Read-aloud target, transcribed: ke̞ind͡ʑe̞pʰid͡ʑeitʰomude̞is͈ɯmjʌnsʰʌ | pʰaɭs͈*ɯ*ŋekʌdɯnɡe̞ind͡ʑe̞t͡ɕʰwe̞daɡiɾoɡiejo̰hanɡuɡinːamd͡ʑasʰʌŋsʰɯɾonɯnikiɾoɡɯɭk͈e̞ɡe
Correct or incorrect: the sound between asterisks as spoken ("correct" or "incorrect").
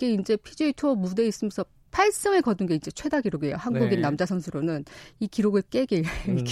correct